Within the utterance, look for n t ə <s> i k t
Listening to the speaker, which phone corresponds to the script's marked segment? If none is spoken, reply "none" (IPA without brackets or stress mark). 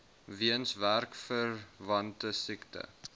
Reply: s